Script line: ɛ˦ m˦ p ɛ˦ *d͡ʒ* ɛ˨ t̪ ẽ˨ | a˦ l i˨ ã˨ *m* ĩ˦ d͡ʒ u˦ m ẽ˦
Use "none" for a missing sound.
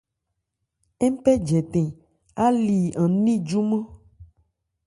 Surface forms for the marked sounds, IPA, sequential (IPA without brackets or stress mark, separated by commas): d͡ʒ, n